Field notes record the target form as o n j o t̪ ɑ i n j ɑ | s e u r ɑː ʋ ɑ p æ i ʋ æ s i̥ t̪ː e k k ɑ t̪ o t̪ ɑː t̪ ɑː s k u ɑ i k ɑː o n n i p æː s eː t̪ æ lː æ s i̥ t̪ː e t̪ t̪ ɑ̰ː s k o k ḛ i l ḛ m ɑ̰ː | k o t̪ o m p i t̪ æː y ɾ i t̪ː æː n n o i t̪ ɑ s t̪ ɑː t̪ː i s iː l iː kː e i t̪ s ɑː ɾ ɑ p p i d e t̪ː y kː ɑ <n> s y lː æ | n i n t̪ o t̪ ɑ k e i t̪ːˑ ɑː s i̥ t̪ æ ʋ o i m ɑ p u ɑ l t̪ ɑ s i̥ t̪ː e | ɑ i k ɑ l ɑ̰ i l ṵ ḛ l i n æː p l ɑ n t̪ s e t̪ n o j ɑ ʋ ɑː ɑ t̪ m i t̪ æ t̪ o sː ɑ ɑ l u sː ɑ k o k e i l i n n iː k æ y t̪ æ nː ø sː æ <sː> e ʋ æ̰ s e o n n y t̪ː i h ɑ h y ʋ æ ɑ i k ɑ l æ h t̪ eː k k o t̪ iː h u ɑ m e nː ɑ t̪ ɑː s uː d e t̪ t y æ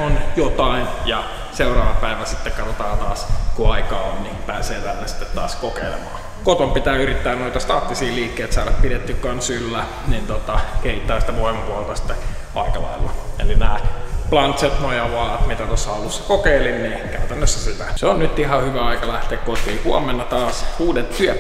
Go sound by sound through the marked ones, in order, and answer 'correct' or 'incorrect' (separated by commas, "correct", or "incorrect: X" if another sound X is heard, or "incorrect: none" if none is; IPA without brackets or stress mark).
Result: correct, incorrect: s